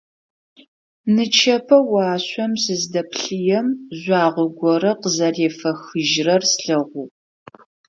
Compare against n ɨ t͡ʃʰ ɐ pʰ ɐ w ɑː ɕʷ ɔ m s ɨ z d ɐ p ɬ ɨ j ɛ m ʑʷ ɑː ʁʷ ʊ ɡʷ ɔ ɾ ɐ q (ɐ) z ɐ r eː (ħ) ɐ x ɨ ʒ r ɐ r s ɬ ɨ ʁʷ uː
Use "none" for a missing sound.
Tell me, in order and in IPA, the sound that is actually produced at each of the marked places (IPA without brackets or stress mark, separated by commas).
ə, f